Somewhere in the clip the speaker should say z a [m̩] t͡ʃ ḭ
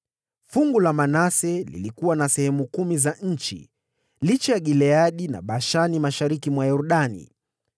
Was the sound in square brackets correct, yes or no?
no